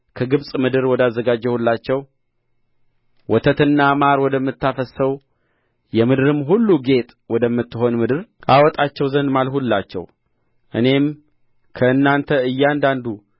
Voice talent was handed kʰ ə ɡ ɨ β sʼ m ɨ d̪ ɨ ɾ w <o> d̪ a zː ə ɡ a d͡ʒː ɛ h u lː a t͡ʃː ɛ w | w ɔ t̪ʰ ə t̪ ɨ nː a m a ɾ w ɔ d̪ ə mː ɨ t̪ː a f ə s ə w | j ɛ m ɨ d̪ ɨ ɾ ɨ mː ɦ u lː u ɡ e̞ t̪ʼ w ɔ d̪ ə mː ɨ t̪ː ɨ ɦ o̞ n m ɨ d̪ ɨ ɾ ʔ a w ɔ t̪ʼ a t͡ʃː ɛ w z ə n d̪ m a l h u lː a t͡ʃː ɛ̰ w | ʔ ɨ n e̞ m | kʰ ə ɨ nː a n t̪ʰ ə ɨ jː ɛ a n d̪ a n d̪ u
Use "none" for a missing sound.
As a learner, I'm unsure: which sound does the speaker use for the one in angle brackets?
ɔ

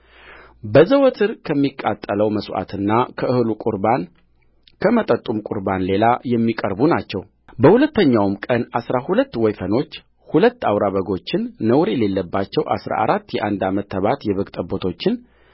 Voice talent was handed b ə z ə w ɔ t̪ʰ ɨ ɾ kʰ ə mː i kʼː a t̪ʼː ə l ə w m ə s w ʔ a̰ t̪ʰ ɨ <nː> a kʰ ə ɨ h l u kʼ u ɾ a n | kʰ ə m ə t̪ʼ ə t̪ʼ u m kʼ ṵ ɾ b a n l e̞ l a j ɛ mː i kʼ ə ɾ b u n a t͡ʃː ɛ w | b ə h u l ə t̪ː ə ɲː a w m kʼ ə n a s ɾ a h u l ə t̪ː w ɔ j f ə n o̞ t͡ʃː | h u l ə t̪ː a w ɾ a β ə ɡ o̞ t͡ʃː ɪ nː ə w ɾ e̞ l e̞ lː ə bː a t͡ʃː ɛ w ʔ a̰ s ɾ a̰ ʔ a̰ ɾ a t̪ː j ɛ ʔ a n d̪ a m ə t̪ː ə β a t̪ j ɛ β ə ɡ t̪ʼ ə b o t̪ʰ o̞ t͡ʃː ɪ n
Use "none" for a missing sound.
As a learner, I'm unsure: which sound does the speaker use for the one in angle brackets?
nː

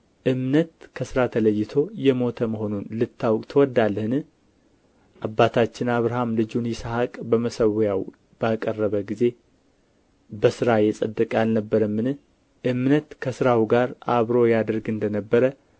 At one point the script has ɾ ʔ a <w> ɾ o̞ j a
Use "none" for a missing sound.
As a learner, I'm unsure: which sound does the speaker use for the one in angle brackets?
β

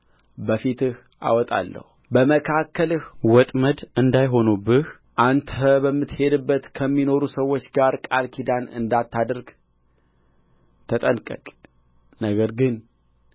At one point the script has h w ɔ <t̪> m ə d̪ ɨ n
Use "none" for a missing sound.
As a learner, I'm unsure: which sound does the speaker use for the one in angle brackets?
t̪ʼ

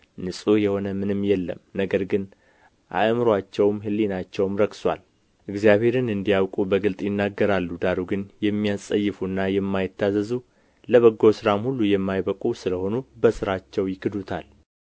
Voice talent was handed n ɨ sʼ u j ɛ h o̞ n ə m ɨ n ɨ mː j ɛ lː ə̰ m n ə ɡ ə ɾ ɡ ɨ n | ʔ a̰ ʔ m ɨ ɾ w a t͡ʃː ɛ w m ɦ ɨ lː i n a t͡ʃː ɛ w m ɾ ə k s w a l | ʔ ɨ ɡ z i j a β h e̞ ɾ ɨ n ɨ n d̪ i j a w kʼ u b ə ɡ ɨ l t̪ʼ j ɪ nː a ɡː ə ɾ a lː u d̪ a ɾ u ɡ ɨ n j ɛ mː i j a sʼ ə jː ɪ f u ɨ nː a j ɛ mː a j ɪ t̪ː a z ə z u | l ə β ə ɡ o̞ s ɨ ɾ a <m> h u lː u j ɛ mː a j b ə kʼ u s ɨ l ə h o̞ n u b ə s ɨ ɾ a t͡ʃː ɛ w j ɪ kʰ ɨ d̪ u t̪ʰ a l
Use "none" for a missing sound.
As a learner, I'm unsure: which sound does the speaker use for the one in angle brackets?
m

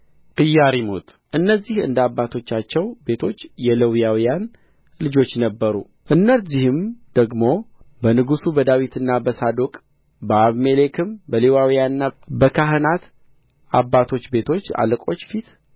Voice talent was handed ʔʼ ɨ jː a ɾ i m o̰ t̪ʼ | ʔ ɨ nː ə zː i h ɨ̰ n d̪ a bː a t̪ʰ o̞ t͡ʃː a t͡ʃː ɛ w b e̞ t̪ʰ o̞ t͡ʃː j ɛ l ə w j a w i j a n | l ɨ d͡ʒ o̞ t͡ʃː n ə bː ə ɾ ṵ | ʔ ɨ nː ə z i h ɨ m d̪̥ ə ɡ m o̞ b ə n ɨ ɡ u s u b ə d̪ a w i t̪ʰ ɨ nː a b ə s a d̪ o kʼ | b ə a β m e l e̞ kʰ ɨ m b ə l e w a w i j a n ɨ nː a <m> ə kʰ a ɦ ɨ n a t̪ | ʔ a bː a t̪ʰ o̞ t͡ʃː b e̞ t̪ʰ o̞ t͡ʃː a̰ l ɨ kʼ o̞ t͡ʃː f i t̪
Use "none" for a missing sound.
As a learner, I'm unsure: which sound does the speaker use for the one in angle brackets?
b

